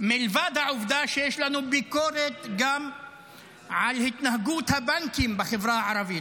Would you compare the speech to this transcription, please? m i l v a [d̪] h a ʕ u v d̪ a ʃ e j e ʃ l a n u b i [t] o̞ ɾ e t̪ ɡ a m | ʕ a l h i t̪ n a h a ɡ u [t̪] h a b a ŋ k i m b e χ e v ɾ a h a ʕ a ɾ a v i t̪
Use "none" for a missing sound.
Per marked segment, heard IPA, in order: d̪, k, t̪

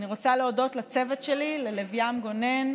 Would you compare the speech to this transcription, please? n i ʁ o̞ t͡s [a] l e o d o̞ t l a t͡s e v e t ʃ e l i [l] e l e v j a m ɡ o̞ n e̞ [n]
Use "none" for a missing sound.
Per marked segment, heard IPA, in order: a, l, n

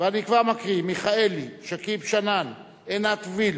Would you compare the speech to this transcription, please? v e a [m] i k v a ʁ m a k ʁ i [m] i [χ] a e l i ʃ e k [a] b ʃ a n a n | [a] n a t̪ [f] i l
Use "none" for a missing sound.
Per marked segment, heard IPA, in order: n, m, χ, i, e, v

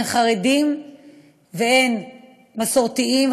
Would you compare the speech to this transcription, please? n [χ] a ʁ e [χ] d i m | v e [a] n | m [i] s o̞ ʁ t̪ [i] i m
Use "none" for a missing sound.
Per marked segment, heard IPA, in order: χ, none, e, a, i

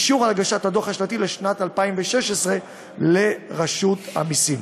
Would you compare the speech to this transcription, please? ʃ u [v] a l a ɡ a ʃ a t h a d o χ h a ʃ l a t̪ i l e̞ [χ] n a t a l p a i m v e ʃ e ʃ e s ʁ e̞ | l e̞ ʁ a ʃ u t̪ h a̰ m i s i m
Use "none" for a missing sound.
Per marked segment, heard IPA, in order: ʁ, ʃ

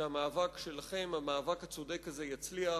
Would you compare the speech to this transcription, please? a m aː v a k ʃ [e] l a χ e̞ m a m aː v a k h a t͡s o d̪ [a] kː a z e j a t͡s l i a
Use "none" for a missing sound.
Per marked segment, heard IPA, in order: e, e

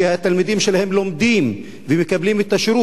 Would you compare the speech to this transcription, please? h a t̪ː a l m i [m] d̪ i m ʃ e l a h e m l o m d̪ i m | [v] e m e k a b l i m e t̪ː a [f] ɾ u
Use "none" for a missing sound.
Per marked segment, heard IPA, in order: none, v, ʃ

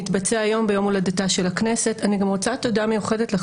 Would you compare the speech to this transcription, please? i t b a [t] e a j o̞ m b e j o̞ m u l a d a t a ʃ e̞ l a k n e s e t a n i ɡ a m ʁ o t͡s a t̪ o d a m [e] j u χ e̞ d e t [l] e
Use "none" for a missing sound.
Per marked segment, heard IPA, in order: t͡s, e, l

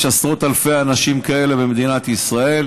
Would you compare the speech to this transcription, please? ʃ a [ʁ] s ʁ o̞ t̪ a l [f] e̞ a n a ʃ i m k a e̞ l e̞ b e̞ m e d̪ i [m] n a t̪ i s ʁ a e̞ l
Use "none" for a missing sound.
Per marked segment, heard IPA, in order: none, f, none

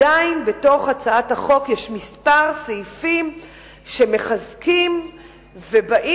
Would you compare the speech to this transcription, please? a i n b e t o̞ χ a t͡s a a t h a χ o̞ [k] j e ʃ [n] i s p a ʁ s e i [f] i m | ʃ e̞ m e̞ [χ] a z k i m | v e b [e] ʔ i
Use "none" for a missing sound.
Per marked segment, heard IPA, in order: k, m, f, χ, a

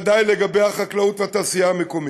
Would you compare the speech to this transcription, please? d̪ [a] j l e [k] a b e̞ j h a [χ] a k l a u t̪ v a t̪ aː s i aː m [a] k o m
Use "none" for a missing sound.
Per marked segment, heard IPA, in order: a, ɡ, χ, e

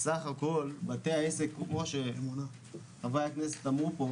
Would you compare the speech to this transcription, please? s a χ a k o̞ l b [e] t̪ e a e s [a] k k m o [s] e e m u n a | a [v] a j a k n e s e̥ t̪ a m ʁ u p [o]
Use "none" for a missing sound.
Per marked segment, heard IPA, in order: a, e, ʃ, v, o

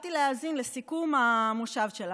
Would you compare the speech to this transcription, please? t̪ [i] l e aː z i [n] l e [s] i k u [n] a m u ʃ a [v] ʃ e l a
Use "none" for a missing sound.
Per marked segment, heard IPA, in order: i, n, s, m, v

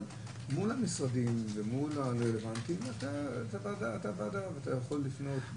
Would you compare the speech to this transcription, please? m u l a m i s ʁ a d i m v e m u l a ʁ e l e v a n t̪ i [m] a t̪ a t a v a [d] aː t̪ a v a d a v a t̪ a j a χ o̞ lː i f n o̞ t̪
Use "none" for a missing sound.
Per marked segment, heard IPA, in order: m, d

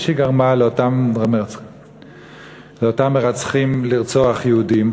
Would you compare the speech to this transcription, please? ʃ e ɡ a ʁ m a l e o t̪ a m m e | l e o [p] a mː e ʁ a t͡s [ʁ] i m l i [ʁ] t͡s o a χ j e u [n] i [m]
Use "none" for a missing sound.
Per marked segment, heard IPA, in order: t, χ, ʁ, d, m

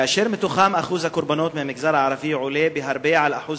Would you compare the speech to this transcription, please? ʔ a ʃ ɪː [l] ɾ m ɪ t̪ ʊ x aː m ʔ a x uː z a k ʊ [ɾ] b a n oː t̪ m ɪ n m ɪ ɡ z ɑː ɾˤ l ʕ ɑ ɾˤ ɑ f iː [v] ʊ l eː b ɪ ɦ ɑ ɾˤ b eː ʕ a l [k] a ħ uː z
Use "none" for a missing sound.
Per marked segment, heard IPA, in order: none, ɾ, ʕ, ʔ

